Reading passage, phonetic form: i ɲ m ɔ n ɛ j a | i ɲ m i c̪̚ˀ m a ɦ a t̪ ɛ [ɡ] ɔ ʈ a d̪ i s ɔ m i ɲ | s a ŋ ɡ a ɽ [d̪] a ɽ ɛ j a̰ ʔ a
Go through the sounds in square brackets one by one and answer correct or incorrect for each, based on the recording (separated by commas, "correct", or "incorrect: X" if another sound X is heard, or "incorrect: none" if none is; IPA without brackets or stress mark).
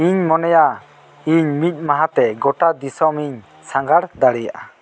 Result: correct, correct